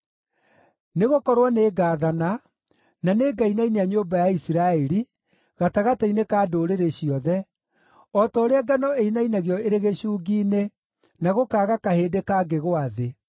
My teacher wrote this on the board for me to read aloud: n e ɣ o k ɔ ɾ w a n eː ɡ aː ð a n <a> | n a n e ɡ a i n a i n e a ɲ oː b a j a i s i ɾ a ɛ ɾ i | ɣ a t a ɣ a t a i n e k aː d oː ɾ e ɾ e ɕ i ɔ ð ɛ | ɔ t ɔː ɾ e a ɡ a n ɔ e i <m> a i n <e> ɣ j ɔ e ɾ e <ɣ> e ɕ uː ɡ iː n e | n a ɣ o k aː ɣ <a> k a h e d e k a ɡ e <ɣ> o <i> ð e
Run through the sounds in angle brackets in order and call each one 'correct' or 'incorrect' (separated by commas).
correct, incorrect, incorrect, correct, correct, correct, incorrect